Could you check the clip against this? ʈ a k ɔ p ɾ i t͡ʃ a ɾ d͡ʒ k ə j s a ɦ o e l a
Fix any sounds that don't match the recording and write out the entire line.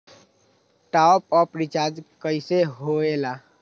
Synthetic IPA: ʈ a p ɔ p ɾ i t͡ʃ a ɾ d͡ʒ k ə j s e ɦ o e l a